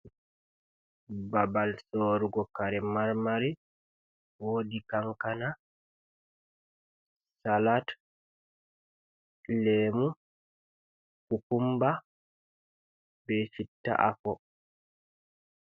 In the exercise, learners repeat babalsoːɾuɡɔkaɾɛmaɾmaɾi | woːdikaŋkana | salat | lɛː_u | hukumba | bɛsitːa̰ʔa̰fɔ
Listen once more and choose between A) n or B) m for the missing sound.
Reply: B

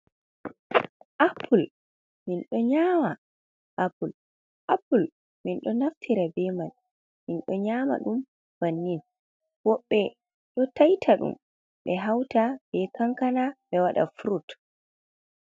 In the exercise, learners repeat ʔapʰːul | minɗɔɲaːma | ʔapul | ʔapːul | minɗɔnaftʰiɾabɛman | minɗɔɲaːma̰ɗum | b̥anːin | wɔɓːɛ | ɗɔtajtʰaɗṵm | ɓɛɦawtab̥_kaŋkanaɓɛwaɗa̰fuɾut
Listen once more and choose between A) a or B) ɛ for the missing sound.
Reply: B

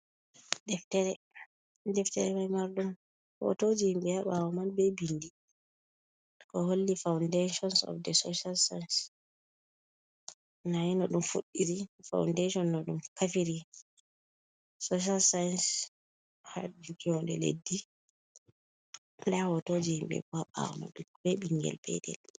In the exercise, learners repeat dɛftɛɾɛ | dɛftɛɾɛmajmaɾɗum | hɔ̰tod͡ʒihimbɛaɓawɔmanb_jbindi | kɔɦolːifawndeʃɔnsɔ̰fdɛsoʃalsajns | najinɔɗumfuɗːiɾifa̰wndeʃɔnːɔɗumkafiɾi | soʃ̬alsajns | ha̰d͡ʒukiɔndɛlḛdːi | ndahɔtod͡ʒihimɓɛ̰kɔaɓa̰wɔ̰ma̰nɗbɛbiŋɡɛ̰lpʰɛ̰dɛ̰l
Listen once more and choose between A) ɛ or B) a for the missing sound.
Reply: A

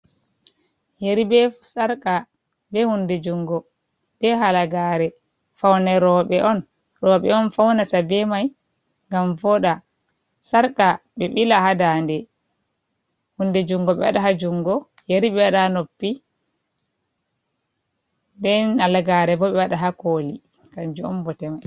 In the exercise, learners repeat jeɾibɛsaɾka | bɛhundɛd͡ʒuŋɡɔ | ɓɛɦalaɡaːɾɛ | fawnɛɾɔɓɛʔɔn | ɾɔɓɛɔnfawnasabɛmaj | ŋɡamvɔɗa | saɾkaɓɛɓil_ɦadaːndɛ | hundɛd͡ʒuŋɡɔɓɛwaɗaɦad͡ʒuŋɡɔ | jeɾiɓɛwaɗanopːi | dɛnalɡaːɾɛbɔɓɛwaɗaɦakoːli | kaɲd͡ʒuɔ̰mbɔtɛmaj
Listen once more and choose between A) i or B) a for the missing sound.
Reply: B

